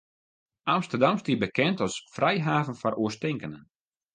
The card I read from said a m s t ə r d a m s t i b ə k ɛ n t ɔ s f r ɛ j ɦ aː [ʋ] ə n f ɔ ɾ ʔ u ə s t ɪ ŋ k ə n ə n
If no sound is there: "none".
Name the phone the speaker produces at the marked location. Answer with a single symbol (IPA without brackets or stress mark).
v